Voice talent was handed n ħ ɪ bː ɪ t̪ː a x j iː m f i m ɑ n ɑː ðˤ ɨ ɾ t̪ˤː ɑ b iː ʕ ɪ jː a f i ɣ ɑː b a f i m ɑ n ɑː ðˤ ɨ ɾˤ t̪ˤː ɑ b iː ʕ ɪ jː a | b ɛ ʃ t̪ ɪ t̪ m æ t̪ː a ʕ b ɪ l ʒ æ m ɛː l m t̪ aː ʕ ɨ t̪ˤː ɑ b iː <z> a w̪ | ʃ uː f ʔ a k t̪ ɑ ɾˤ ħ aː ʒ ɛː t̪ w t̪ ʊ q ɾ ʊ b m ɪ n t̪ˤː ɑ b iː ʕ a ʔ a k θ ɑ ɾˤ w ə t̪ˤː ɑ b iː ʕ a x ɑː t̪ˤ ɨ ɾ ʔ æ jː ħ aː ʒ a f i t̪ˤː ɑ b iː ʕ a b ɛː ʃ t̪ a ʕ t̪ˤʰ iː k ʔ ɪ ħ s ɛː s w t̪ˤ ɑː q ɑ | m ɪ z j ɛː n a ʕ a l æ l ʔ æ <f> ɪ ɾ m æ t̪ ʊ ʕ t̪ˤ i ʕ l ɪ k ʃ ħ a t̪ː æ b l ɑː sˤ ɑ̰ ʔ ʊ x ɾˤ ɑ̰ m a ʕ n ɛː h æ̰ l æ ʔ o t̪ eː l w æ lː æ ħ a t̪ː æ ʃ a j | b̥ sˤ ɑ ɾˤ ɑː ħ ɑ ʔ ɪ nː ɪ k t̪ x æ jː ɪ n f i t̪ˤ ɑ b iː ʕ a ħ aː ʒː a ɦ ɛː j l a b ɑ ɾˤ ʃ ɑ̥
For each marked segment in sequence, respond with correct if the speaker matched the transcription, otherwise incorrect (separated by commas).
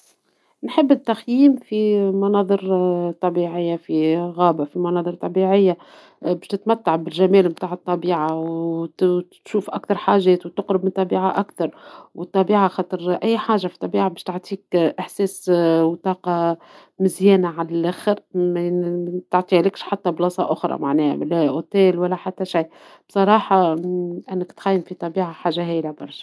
incorrect, incorrect